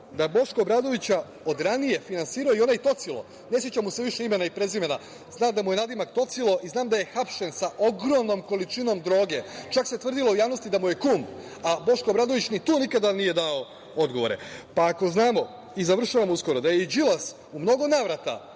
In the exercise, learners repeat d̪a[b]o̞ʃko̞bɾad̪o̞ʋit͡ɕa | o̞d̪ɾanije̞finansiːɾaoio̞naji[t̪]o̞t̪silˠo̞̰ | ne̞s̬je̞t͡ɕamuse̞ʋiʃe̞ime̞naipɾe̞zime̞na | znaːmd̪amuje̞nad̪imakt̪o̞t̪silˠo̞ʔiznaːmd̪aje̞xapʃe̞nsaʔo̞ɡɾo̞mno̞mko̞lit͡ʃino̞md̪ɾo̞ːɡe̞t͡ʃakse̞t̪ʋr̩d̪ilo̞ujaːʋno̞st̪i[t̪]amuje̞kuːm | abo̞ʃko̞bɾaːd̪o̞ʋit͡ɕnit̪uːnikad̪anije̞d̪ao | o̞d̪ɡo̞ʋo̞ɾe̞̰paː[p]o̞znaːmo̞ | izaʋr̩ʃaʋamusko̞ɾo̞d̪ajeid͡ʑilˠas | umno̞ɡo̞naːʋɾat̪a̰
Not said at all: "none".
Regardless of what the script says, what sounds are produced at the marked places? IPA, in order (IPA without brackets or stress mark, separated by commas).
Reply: b, t̪, d̪, k